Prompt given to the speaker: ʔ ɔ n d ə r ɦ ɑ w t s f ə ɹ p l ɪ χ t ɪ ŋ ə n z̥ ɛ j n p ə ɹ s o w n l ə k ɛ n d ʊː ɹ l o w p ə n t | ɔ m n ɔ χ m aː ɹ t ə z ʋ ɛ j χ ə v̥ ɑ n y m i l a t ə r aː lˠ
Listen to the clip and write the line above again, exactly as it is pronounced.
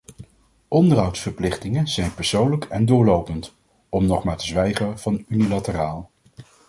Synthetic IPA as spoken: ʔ ɔ n d ə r ɦ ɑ w t s f ə ɹ p l ɪ χ t ɪ ŋ ə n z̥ ɛ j n p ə ɹ s o w n l ə k ɛ n d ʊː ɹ l o w p ə n t | ɔ m n ɔ χ m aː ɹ t ə z ʋ ɛ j χ ə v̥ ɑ n y n i l a t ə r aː lˠ

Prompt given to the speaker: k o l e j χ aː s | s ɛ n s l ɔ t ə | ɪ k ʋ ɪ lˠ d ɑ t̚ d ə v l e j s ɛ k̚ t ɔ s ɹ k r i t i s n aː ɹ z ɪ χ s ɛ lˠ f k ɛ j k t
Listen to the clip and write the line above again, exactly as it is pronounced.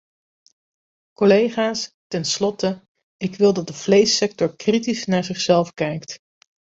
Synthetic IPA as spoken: k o l e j χ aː s | t ɛ n s l ɔ t ə | ɪ k ʋ ɪ lˠ d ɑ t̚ d ə v l e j s ɛ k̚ t ɔ ɹ k r i t i s n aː ɹ z ɪ χ s ɛ lˠ f k ɛ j k t

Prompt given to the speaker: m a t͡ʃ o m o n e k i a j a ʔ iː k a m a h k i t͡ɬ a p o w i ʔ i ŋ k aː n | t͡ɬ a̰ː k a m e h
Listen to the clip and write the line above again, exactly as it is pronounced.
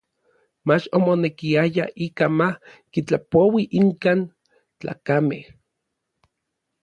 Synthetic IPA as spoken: m a t͡ʃ o m o n e k i a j a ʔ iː k a m a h k i t͡ɬ a p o w i ʔ i ŋ k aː n | t͡ɬ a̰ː k a m e h

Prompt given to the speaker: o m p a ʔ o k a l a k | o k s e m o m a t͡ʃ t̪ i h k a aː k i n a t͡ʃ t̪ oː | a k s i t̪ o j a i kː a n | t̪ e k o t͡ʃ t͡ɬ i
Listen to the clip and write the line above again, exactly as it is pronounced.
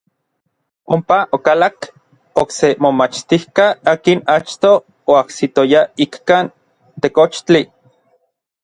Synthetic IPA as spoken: o m p a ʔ o k a l a k | o k s e m o m a t͡ʃ t̪ i h k a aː k i n a t͡ʃ t̪ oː | a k s i t̪ o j a i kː a n | t̪ e k o t͡ʃ t͡ɬ i

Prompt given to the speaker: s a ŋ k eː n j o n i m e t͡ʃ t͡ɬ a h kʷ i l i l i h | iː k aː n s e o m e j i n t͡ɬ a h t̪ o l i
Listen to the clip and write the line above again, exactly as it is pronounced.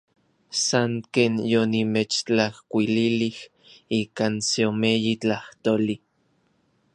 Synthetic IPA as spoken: s a ŋ k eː n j o n i m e t͡ʃ t͡ɬ a h kʷ i l i l i h | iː k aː n s e o m e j i t͡ɬ a h t̪ o l i

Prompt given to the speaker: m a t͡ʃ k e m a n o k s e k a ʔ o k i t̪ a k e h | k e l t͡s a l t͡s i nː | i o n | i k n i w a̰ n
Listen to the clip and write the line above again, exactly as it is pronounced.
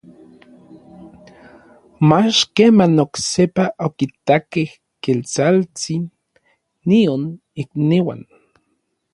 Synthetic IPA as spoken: m a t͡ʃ k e m a n o k s e p a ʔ o k i t̪ a k e h | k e l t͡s a l t͡s i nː | i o n | i k n i w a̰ n

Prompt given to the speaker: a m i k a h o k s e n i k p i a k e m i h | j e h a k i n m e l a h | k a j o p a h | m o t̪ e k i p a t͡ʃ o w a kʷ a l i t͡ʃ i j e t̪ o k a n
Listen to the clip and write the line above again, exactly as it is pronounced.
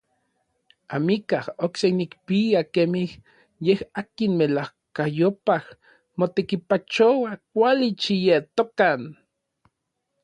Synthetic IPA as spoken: a m i k a h o k s e n i k p i a k e m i h | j e h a k i n m e l a h | k a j o p a h | m o t̪ e k i p a t͡ʃ o w a kʷ a l i t͡ʃ i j e t̪ o k a n

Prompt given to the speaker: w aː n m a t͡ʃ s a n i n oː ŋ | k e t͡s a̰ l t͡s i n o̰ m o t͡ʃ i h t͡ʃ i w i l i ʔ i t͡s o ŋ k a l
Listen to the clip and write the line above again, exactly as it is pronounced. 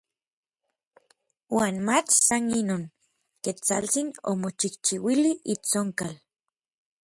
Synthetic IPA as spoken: w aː n m a t͡ʃ s a n i n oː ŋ | k e t͡s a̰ l t͡s i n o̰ m o t͡ʃ i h t͡ʃ i w i l i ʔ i t͡s o ŋ k a l

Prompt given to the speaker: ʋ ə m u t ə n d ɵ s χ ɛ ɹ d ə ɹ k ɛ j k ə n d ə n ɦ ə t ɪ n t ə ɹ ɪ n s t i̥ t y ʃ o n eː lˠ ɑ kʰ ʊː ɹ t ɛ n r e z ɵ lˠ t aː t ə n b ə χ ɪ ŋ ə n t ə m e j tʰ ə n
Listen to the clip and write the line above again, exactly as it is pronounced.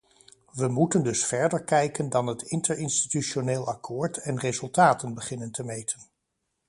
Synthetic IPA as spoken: ʋ ə m u t ə n d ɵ s f ɛ ɹ d ə ɹ k ɛ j k ə n d ɑ n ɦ ə t ɪ n t ə ɹ ɪ n s t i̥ t y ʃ o n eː lˠ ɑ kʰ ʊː ɹ t ɛ n r e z ɵ lˠ t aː t ə n b ə χ ɪ n ə n t ə m e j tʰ ə n

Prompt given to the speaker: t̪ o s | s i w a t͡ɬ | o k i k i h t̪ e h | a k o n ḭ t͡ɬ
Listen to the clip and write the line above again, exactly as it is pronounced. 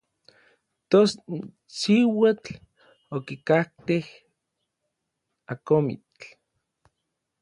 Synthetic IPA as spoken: t̪ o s | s i w a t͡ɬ | o k i k a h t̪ e h | a k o m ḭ t͡ɬ

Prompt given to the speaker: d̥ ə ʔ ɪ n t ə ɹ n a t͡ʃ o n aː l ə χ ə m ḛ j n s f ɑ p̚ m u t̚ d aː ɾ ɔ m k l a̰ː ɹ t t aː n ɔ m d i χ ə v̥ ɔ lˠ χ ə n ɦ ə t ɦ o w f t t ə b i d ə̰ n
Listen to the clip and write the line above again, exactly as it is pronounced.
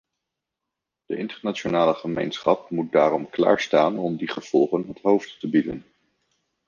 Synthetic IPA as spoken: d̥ ə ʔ ɪ n t ə ɹ n a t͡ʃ o n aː l ə χ ə m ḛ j n s χ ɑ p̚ m u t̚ d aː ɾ ɔ m k l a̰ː ɹ s t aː n ɔ m d i χ ə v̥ ɔ lˠ χ ə n ɦ ə t ɦ o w f t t ə b i d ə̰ n

